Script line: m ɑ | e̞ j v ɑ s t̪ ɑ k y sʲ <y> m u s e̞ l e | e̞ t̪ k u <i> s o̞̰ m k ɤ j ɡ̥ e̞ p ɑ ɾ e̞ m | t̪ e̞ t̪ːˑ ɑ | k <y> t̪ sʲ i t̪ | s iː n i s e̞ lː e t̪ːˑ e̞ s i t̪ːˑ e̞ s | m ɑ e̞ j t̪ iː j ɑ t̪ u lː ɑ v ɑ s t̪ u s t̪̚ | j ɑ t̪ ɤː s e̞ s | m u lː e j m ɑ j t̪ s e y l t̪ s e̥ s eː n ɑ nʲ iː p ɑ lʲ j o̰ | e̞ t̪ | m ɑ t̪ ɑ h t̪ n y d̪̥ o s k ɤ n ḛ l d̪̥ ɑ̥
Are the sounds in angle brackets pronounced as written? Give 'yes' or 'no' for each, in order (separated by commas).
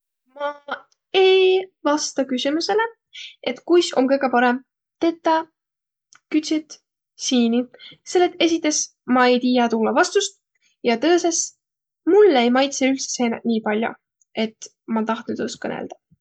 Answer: no, no, yes